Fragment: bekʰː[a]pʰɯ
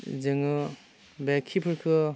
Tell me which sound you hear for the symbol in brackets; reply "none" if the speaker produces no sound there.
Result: i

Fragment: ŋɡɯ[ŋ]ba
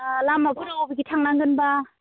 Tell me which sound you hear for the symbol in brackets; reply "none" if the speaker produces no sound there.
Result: n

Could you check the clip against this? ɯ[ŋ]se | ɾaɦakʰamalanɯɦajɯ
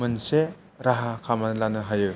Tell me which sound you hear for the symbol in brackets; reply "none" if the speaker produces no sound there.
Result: n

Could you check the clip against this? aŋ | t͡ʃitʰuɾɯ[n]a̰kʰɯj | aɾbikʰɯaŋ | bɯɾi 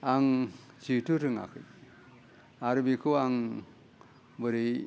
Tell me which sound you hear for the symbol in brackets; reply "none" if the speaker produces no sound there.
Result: ŋ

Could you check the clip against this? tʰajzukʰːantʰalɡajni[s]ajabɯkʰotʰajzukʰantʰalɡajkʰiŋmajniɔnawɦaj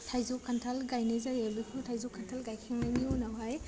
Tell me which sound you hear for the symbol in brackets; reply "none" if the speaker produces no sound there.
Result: z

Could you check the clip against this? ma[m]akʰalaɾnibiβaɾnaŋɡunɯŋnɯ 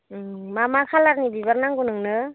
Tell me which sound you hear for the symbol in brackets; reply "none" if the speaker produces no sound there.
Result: m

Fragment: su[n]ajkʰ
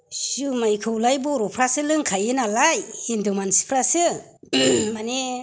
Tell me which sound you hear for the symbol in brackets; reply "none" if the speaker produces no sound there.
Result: m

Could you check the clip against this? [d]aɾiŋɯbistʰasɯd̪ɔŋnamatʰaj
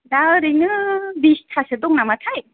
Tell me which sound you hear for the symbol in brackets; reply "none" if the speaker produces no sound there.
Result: d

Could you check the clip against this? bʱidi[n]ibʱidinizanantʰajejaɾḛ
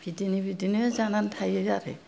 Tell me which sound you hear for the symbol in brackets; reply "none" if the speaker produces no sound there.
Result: n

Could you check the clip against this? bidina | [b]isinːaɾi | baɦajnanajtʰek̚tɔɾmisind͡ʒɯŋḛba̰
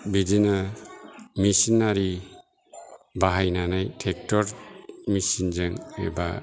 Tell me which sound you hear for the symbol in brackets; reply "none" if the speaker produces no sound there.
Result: m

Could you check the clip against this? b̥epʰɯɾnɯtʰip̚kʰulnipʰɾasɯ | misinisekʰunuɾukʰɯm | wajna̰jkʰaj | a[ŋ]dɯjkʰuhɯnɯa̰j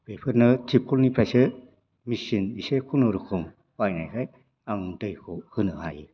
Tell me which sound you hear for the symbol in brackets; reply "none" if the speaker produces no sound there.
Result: ŋ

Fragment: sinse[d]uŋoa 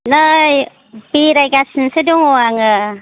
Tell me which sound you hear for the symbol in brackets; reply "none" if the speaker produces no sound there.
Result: d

